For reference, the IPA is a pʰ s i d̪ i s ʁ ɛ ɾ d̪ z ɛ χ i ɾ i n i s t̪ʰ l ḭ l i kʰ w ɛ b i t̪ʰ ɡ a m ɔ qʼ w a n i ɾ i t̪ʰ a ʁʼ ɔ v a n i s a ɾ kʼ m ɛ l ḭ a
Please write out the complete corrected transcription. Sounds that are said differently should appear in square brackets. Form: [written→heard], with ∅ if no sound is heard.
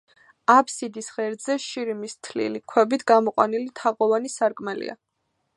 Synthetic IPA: a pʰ s i d̪ i s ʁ ɛ ɾ d̪ z ɛ [χ→ʃ] i ɾ i [n→m] i s t̪ʰ l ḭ l i kʰ w ɛ b i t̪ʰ ɡ a m ɔ qʼ w a n i [ɾ→l] i t̪ʰ a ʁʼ ɔ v a n i s a ɾ kʼ m ɛ l ḭ a